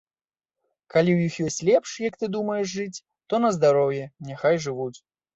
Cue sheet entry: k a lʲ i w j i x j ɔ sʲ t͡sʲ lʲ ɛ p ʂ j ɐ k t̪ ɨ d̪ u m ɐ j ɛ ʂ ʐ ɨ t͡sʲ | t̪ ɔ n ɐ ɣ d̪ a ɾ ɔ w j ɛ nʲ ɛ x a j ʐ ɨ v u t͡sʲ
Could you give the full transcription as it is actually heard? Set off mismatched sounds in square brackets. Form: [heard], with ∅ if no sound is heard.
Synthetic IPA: k a lʲ i w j i x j ɔ sʲ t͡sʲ lʲ ɛ p ʂ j ɐ k t̪ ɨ d̪ u m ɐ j ɛ ʂ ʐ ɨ t͡sʲ | t̪ ɔ n ɐ [z] d̪ a ɾ ɔ w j ɛ nʲ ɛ x a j ʐ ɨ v u t͡sʲ